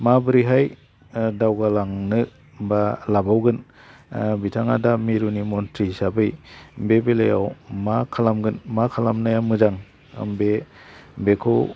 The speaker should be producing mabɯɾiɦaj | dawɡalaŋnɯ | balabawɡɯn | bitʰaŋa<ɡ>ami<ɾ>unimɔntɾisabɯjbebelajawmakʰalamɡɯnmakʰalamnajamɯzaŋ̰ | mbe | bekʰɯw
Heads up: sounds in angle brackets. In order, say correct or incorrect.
incorrect, correct

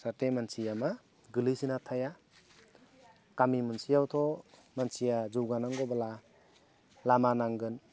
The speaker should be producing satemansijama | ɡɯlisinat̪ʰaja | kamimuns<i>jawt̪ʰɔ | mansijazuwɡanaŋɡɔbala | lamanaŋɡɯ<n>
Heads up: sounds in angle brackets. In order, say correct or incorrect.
correct, correct

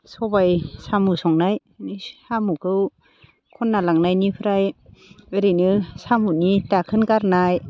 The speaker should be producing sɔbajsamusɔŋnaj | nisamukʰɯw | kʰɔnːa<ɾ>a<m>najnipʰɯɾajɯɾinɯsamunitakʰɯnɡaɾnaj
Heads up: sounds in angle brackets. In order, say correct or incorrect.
incorrect, incorrect

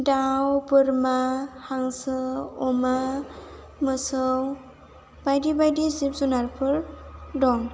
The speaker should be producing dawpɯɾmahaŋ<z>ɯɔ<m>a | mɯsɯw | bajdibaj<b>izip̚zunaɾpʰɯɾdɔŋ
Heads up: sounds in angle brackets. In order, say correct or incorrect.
incorrect, correct, incorrect

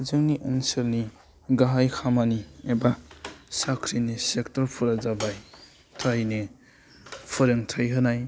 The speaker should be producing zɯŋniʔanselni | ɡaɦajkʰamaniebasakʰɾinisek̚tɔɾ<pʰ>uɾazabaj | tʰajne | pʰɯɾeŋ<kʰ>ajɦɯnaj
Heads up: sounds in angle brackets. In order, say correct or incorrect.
correct, incorrect

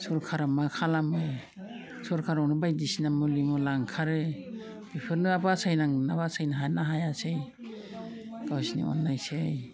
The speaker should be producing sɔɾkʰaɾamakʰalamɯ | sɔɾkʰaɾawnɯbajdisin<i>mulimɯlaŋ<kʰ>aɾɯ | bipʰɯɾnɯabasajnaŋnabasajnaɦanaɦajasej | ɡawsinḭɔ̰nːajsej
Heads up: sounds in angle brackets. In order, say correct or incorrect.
incorrect, correct

